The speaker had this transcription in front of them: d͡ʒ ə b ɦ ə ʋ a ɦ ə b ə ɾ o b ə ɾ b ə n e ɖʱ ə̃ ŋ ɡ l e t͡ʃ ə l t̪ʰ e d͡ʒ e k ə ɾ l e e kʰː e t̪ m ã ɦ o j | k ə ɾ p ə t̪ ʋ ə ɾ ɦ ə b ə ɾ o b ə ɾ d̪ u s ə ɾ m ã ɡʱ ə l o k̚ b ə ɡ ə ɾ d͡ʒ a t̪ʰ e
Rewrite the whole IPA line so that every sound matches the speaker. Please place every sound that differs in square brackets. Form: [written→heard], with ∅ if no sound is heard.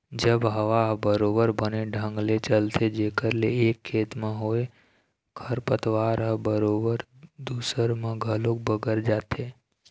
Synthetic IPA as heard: d͡ʒ ə b ɦ ə ʋ a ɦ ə b ə ɾ o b ə ɾ b ə n e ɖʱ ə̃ ŋ ɡ l e t͡ʃ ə l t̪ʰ e d͡ʒ e k ə ɾ l e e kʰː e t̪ m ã ɦ o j | [k→kʰ] ə ɾ p ə t̪ ʋ [ə→a] ɾ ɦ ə b ə ɾ o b ə ɾ d̪ u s ə ɾ m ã ɡʱ ə l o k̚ b ə ɡ ə ɾ d͡ʒ a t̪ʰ e

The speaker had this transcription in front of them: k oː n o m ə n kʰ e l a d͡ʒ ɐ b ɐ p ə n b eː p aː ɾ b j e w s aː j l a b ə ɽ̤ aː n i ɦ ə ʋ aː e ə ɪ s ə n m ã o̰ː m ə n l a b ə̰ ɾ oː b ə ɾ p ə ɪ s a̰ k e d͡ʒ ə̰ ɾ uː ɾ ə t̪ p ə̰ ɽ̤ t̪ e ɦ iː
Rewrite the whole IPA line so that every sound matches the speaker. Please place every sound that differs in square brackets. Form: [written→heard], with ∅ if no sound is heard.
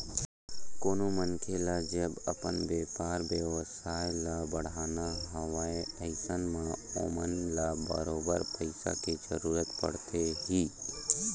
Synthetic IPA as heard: k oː n o m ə n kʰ e l a d͡ʒ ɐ b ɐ p ə n b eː p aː ɾ b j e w s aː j l a b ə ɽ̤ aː n [i→a] ɦ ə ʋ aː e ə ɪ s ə n m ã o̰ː m ə n l a b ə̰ ɾ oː b ə ɾ p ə ɪ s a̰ k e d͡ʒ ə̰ ɾ uː ɾ ə t̪ p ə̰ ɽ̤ t̪ e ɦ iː

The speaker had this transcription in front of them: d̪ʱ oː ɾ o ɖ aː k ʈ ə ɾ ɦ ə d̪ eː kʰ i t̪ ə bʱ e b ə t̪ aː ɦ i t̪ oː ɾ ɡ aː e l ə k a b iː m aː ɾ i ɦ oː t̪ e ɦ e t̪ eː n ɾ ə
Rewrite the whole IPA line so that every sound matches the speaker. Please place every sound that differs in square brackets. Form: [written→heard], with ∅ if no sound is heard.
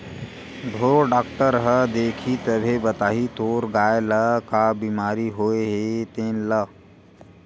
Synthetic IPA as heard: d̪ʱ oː ɾ o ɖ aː k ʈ ə ɾ ɦ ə d̪ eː kʰ i t̪ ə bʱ e b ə t̪ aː ɦ i t̪ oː ɾ ɡ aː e l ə k a b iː m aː ɾ i ɦ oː [t̪→∅] e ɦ e t̪ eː n [ɾ→l] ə

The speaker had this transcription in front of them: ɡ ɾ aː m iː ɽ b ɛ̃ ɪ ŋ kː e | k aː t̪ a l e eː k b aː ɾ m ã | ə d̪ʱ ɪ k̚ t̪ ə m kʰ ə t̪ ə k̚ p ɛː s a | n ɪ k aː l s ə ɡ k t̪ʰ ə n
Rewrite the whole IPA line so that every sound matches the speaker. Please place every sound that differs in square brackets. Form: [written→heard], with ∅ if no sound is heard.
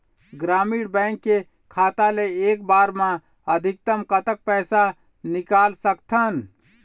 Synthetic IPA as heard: ɡ ɾ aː m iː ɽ b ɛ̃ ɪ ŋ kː e | [k→kʰ] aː t̪ a l e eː k b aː ɾ m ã | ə d̪ʱ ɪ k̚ t̪ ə m [kʰ→k] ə t̪ ə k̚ p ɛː s a | n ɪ k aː l s ə [ɡ→∅] k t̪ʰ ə n

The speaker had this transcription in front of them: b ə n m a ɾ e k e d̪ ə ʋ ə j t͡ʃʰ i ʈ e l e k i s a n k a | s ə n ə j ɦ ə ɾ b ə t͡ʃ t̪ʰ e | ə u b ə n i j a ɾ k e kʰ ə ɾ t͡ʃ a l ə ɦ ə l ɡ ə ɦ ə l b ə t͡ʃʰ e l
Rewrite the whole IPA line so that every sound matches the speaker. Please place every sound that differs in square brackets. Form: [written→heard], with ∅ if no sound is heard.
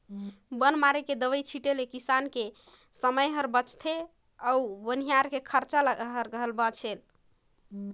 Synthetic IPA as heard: b ə n m a ɾ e k e d̪ ə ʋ ə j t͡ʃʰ i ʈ e l e k i s a n k [a→e] | s ə [n→m] ə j ɦ ə ɾ b ə t͡ʃ t̪ʰ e | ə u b ə n i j a ɾ k e kʰ ə ɾ t͡ʃ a l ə ɦ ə [l→ɾ] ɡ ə ɦ ə l b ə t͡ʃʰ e l

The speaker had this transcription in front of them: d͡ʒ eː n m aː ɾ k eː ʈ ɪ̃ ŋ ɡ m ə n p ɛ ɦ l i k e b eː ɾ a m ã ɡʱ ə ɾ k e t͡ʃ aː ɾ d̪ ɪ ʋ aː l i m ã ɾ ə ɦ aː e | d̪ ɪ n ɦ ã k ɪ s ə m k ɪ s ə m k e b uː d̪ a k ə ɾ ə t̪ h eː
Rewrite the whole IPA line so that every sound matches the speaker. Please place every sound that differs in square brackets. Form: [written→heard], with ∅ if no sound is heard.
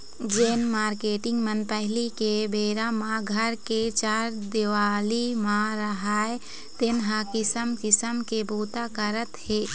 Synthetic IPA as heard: d͡ʒ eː n m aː ɾ k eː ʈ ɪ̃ ŋ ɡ m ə n p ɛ ɦ l i k e b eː ɾ a m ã ɡʱ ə ɾ k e t͡ʃ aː ɾ d̪ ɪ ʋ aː l i m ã ɾ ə ɦ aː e | [d̪→t̪] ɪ n ɦ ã k ɪ s ə m k ɪ s ə m k e b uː [d̪→t̪] a k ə ɾ ə t̪ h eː

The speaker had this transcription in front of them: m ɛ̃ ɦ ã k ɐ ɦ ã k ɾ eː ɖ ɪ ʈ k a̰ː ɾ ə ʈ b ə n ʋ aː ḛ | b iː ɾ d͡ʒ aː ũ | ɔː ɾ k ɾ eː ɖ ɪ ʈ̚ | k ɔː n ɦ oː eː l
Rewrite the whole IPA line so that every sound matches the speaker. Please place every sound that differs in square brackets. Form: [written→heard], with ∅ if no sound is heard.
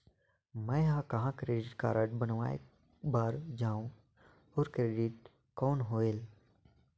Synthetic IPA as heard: m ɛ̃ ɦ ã k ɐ ɦ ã k ɾ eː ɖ ɪ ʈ k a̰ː ɾ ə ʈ b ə n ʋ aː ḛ | b [iː→aː] ɾ d͡ʒ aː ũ | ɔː ɾ k ɾ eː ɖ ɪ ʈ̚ | k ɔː n ɦ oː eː l

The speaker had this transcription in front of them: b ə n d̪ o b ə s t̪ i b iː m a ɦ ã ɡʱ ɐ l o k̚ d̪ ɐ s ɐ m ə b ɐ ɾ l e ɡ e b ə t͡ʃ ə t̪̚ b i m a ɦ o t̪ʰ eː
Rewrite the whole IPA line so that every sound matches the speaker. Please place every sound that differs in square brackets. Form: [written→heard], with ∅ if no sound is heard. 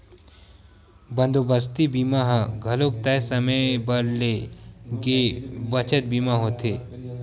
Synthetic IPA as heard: b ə n d̪ o b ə s t̪ i b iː m a ɦ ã ɡʱ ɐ l o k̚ [d̪→t̪] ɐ s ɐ m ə b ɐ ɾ l e ɡ e b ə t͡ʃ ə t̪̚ b i m a ɦ o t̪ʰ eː

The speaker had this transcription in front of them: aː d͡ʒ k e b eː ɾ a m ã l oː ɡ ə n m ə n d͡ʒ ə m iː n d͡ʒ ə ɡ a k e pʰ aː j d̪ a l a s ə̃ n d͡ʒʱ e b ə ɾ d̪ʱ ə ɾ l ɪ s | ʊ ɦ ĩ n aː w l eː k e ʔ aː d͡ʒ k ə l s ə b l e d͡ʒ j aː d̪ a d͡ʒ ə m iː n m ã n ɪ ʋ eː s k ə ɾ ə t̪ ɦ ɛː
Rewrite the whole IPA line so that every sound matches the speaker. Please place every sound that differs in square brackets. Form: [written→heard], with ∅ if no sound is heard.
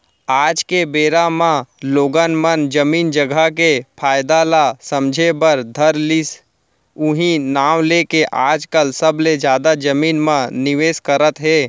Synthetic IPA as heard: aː d͡ʒ k e b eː ɾ a m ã l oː ɡ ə n m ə n d͡ʒ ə m iː n d͡ʒ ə ɡ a k e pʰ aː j d̪ a l a s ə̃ [n→m] d͡ʒʱ e b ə ɾ d̪ʱ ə ɾ l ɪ s | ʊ ɦ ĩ n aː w l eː k e ʔ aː d͡ʒ k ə l s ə b l e d͡ʒ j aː d̪ a d͡ʒ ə m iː n m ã n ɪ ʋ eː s k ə ɾ ə t̪ ɦ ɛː

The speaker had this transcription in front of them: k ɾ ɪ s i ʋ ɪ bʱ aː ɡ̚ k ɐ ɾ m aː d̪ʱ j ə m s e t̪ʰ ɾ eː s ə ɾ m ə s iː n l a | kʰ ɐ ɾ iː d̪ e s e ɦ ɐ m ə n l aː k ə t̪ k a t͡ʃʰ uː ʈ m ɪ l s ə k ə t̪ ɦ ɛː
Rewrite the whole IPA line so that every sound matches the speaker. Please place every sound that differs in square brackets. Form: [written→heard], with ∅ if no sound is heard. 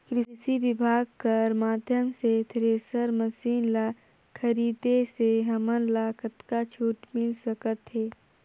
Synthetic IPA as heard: k ɾ ɪ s i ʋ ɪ bʱ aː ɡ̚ k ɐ ɾ m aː d̪ʱ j ə m s e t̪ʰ ɾ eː s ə ɾ m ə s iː n l a | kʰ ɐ ɾ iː d̪ e s e ɦ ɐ m ə n l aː k ə t̪ k a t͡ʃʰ uː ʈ m ɪ l s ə k ə t̪ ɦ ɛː

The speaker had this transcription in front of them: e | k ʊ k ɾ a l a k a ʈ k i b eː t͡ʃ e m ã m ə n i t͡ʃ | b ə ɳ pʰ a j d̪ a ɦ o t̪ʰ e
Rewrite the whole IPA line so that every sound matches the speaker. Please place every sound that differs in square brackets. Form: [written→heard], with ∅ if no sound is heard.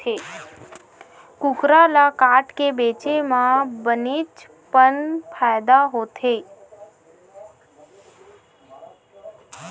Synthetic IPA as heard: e | k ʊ k ɾ a l a k a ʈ k [i→e] b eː t͡ʃ e m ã [m→b] ə n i t͡ʃ | [b→p] ə [ɳ→n] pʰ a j d̪ a ɦ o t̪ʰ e

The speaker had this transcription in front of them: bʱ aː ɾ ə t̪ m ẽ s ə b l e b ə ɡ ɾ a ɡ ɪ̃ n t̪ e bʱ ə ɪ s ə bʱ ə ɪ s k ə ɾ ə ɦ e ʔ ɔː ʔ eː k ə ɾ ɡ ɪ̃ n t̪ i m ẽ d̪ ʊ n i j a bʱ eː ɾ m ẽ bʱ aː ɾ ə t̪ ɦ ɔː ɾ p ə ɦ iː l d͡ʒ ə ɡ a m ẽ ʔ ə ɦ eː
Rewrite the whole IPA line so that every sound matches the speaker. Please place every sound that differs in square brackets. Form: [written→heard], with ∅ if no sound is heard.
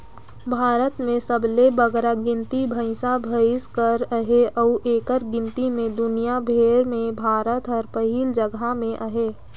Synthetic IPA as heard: bʱ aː ɾ ə t̪ m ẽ s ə b l e b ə ɡ ɾ a ɡ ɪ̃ n t̪ [e→i] bʱ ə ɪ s [ə→a] bʱ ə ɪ s k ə ɾ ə ɦ e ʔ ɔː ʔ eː k ə ɾ ɡ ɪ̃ n t̪ i m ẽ d̪ ʊ n i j a bʱ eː ɾ m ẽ bʱ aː ɾ ə t̪ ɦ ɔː ɾ p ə ɦ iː l d͡ʒ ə ɡ a m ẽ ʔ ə ɦ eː

